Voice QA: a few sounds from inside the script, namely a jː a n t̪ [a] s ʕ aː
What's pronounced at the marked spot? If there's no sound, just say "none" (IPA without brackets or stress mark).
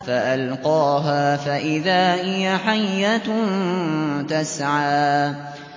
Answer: a